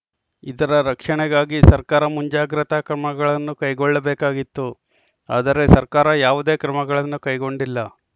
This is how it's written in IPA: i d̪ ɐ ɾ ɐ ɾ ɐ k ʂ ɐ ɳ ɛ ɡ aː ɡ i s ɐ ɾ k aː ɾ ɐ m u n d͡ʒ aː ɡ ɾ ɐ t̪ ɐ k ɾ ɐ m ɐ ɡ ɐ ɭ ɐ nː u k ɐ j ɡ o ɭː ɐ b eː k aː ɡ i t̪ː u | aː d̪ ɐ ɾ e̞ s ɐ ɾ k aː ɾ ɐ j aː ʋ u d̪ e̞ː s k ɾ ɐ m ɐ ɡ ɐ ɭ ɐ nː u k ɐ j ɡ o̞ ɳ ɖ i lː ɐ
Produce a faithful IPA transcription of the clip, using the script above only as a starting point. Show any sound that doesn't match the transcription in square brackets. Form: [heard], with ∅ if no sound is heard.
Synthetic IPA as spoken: i d̪ ɐ ɾ ɐ ɾ ɐ k ʂ ɐ ɳ ɛ ɡ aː ɡ i s ɐ ɾ k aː ɾ ɐ m u [ɲ] d͡ʒ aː ɡ ɾ ɐ t̪ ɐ k ɾ ɐ m ɐ ɡ ɐ ɭ ɐ nː u k ɐ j ɡ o ɭː ɐ b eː k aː ɡ i t̪ː u | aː d̪ ɐ ɾ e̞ s ɐ ɾ k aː ɾ ɐ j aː ʋ u d̪ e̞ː [∅] k ɾ ɐ m ɐ ɡ ɐ ɭ ɐ nː u k ɐ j ɡ o̞ ɳ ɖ i lː ɐ